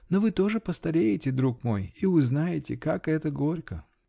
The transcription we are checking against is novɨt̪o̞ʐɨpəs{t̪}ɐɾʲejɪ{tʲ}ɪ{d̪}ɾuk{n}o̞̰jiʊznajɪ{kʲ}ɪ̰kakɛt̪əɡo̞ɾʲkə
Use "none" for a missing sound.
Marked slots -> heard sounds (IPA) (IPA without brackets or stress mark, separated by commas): t̪, tʲ, d̪, m, tʲ